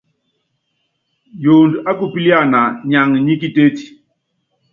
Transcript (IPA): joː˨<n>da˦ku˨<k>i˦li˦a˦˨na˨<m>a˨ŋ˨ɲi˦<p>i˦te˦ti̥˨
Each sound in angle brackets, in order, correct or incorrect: correct, incorrect, incorrect, incorrect

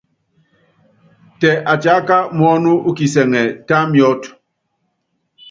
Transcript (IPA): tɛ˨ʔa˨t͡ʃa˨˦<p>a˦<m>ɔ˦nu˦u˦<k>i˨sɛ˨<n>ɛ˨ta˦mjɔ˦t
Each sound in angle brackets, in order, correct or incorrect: incorrect, correct, correct, incorrect

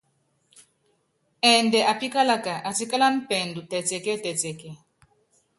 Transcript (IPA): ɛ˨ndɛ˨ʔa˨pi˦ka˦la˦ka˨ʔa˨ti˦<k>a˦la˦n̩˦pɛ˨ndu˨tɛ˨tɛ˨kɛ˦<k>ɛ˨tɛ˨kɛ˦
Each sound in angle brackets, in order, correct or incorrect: correct, incorrect

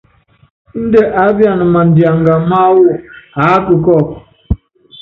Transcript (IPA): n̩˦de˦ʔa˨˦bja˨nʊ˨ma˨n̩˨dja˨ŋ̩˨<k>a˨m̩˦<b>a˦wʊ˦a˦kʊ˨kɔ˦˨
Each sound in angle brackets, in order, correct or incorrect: incorrect, incorrect

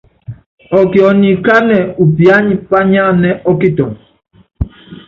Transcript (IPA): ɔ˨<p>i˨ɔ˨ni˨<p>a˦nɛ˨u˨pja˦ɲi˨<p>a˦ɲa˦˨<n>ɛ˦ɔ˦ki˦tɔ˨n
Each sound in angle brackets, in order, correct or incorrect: incorrect, incorrect, correct, correct

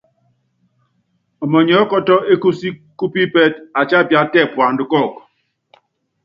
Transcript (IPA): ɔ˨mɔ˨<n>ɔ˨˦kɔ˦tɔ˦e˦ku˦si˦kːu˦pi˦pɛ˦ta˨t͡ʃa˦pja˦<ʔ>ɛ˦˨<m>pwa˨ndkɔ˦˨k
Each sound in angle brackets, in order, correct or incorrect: incorrect, incorrect, incorrect

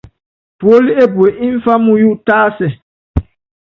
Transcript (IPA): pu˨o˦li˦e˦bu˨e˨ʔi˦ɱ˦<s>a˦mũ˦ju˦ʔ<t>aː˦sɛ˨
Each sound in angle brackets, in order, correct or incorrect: incorrect, correct

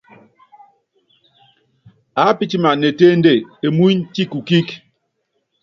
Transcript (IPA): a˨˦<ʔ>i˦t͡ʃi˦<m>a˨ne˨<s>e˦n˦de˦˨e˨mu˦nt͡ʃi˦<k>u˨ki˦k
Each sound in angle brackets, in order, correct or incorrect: incorrect, correct, incorrect, correct

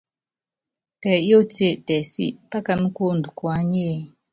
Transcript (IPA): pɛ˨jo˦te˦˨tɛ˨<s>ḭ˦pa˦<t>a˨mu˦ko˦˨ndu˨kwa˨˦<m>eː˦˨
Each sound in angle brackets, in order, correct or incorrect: correct, incorrect, incorrect

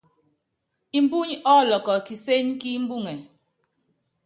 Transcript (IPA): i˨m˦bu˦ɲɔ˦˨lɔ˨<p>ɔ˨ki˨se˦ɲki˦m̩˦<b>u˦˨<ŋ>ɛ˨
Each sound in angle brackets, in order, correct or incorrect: incorrect, correct, correct

